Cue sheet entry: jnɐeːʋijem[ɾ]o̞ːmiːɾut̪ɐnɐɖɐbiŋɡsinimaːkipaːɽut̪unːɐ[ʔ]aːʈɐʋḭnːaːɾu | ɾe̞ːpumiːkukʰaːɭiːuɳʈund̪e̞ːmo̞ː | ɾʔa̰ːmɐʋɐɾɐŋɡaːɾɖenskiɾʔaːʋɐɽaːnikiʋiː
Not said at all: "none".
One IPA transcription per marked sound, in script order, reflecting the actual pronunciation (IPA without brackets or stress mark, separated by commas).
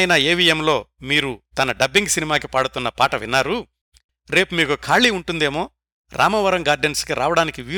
l, p